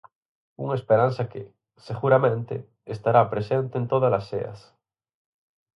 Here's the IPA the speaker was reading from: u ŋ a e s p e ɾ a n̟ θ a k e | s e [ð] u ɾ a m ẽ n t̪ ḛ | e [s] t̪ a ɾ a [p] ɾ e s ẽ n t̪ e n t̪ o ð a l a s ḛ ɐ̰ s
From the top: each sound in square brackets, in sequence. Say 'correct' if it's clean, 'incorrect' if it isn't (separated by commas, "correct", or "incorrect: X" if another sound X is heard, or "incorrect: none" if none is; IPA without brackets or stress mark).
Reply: incorrect: ɣ, correct, correct